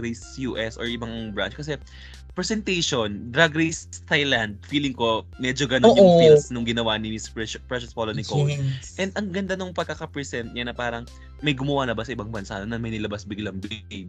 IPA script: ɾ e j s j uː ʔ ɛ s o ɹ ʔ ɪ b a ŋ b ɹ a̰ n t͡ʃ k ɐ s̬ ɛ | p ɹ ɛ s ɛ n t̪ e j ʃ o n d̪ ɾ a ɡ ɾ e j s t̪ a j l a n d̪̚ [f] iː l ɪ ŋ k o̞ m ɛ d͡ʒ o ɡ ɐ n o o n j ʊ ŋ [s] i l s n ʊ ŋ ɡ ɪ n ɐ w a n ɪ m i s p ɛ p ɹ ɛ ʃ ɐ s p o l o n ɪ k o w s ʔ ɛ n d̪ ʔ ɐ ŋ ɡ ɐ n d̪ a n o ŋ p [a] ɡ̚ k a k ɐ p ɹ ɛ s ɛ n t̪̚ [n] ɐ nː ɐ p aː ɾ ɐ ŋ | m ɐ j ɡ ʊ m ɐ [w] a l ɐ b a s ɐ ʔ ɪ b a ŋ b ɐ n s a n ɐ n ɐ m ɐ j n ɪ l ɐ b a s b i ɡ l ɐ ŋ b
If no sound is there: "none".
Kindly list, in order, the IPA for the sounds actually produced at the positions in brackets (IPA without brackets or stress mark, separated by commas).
f, f, ɐ, ɲ, w